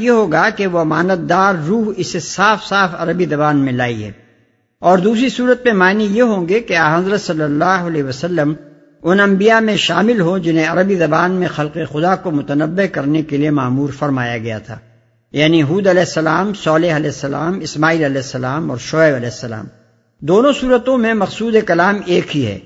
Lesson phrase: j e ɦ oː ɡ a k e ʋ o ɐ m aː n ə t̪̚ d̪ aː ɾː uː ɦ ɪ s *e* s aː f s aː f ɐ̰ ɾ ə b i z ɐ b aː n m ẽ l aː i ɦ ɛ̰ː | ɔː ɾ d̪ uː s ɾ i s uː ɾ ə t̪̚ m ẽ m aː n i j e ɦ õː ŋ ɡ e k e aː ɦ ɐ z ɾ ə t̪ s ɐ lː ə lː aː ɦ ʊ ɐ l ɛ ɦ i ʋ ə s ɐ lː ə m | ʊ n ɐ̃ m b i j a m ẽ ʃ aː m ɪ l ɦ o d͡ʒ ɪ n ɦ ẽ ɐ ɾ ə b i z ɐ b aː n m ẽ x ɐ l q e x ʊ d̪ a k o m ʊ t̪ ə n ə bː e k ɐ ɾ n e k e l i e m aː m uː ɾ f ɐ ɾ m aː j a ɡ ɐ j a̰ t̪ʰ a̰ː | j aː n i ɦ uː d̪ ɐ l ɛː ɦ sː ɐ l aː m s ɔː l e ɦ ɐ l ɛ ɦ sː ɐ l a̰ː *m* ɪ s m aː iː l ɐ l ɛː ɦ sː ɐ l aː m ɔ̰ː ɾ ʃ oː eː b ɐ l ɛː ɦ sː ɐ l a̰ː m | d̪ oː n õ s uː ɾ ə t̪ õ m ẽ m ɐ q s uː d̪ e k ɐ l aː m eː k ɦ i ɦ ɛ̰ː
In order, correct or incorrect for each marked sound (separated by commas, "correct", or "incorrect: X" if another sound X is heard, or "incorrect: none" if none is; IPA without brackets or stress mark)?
correct, correct